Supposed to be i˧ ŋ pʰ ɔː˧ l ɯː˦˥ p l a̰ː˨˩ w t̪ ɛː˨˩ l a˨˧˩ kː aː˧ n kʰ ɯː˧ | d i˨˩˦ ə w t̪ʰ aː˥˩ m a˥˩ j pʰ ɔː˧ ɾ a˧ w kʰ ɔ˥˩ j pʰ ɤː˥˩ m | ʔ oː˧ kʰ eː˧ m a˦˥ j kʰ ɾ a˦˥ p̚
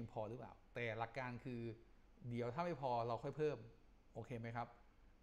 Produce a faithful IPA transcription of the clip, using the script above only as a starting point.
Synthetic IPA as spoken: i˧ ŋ pʰ ɔː˧ ɾ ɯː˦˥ p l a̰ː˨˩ w t̪ ɛː˨˩ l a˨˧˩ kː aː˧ n kʰ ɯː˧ | d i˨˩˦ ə w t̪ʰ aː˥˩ m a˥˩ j pʰ ɔː˧ ɾ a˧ w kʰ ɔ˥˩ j pʰ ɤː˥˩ m | ʔ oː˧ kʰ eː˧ m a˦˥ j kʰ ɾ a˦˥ p̚